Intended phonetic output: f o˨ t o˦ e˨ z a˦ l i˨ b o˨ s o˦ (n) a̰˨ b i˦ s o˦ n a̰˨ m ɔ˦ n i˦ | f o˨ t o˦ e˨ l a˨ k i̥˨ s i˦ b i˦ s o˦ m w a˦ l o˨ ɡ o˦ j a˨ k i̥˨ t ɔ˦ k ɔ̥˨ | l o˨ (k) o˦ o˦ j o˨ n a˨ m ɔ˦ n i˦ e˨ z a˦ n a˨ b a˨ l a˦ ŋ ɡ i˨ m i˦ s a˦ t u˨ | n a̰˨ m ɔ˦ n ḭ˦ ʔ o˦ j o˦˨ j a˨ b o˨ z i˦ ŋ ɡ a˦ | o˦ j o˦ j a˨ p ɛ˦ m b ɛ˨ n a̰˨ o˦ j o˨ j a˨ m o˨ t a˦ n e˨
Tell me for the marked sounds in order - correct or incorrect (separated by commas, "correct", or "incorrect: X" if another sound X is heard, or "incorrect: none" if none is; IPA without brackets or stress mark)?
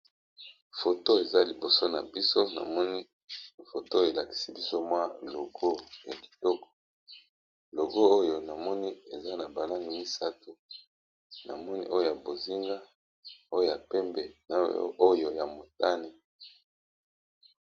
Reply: correct, incorrect: ɡ